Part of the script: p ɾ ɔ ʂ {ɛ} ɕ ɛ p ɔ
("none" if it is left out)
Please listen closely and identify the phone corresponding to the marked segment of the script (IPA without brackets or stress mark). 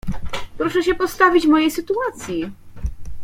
ɛ